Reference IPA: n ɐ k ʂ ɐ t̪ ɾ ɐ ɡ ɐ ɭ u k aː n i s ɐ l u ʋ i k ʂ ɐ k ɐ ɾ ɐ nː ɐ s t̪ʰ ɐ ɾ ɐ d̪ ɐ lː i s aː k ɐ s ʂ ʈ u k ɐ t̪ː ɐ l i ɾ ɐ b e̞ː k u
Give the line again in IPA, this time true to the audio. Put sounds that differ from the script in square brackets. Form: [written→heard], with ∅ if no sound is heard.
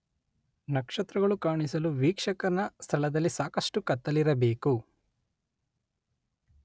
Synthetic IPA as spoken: n ɐ k ʂ ɐ t̪ ɾ ɐ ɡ ɐ ɭ u k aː [n→ɳ] i s ɐ l u ʋ [i→iː] k ʂ ɐ k ɐ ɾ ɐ [nː→n] ɐ s t̪ʰ ɐ [ɾ→ɭ] ɐ d̪ ɐ lː i s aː k ɐ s ʂ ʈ u k ɐ t̪ː ɐ l i ɾ ɐ b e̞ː k u